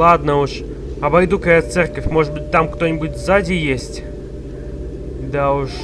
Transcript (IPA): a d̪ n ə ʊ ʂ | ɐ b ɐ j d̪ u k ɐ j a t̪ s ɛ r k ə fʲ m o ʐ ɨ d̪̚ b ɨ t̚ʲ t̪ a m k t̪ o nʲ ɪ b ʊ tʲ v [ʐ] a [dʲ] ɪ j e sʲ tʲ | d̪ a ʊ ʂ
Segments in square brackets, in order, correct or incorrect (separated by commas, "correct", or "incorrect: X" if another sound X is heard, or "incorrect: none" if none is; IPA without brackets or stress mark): incorrect: z, correct